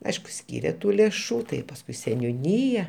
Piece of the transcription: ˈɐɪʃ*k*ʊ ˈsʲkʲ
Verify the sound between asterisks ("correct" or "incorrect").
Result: correct